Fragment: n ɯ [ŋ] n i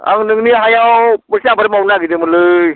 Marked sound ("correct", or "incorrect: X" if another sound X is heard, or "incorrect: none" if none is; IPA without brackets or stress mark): correct